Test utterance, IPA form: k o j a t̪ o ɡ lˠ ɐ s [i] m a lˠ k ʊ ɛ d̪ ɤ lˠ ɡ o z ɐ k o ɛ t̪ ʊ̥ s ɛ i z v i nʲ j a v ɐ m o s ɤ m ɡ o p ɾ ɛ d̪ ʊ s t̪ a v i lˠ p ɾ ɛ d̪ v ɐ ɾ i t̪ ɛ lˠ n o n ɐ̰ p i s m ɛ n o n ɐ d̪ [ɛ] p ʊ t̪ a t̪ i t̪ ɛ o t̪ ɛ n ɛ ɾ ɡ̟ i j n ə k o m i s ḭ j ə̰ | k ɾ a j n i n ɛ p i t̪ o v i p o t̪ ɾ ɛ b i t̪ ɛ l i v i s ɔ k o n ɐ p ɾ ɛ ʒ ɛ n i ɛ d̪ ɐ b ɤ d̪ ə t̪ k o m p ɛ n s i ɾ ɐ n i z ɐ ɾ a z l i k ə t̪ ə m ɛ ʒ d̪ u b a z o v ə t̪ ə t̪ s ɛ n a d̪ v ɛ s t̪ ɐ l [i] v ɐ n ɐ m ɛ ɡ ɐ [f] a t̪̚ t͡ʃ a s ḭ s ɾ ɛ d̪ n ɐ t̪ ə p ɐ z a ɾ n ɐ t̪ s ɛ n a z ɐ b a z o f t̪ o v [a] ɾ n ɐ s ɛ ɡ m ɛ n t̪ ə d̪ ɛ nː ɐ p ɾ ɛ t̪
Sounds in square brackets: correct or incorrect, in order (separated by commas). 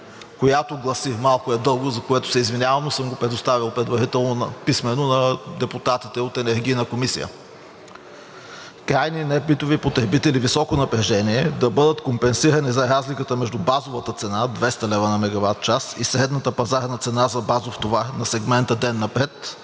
correct, correct, incorrect, incorrect, correct